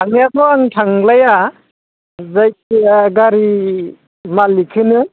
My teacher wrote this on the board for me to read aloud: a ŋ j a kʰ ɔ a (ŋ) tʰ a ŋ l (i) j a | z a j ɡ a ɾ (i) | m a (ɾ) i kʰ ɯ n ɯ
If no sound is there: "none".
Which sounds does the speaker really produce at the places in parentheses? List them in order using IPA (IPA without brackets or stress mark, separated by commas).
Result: ŋ, a, i, l